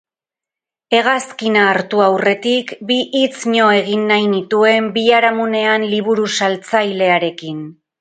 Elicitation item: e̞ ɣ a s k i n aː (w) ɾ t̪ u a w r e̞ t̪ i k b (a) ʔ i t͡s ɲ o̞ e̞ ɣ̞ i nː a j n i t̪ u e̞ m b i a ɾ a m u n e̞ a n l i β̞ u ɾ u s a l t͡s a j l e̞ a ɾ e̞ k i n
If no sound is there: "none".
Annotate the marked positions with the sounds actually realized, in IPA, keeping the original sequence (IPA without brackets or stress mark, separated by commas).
none, i